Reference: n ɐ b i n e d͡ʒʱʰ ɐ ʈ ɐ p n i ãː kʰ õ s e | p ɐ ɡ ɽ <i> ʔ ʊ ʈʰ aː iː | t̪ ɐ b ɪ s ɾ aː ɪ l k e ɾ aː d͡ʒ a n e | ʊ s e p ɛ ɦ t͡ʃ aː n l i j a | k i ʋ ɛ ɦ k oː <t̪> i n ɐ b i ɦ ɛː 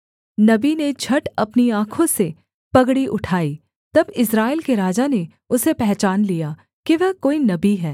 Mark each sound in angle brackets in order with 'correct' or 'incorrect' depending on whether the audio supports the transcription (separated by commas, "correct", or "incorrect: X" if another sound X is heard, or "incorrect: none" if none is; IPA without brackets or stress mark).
correct, incorrect: none